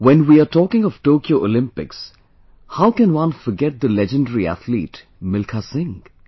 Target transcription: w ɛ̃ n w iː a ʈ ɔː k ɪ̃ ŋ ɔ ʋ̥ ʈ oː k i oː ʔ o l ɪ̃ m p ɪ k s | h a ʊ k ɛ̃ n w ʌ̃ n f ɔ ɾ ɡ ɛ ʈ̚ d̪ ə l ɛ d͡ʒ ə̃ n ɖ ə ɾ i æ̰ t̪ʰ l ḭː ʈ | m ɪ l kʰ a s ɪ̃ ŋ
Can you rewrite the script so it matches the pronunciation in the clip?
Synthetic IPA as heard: w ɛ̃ n w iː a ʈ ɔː k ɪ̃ ŋ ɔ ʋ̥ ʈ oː k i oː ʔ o l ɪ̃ m p ɪ k s | h a ʊ k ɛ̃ n w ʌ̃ n f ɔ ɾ ɡ ɛ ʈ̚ d̪ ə l ɛ d͡ʒ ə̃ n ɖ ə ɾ i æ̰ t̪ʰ l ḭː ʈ | m ɪ l kʰ a s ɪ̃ ŋ